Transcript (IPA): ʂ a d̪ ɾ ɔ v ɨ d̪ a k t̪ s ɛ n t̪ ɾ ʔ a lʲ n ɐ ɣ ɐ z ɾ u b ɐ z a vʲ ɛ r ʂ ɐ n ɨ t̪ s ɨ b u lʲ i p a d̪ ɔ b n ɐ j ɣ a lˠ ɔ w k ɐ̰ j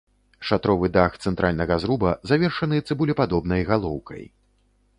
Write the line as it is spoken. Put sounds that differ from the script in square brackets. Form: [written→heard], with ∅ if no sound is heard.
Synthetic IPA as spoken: ʂ a [d̪→t̪] ɾ ɔ v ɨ d̪ a [k→x] t̪ s ɛ n t̪ ɾ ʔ a lʲ n ɐ ɣ ɐ z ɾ u b ɐ z a vʲ ɛ r ʂ ɐ n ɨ t̪ s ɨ b u lʲ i p a d̪ ɔ b n ɐ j ɣ a lˠ ɔ w k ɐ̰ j